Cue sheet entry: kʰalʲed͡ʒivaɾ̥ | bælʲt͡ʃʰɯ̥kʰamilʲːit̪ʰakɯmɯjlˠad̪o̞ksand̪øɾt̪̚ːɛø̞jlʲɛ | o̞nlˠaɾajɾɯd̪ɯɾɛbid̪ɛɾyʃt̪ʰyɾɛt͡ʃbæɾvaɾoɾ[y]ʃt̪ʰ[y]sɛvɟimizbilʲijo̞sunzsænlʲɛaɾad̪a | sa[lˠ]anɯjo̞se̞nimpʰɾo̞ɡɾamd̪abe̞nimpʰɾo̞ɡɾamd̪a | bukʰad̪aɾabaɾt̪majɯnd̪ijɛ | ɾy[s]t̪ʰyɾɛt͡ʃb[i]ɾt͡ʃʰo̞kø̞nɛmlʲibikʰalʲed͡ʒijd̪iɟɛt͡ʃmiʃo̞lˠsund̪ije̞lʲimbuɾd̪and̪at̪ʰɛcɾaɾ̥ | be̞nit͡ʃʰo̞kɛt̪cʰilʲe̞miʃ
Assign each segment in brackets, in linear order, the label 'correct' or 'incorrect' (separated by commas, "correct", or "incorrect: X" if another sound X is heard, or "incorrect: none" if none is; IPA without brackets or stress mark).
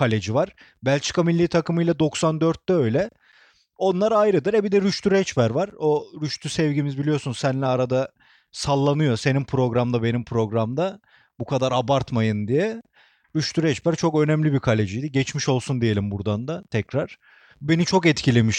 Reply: correct, correct, incorrect: lˠː, incorrect: ʃ, incorrect: æ